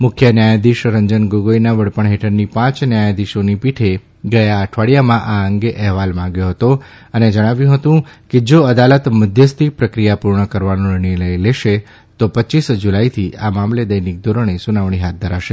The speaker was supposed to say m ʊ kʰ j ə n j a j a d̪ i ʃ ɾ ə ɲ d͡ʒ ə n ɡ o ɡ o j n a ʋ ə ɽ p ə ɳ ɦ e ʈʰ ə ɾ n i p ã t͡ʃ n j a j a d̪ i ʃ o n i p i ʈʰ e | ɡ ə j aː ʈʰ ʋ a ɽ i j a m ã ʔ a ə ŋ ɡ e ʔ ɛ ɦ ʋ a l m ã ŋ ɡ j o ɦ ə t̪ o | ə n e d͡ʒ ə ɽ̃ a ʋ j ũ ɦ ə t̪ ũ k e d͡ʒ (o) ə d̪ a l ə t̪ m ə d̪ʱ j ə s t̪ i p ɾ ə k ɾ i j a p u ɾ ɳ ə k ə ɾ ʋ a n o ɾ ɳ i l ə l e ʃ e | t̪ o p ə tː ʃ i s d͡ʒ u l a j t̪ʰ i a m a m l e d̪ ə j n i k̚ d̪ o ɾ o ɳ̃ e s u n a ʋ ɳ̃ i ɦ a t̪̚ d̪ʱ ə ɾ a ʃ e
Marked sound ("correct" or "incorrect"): correct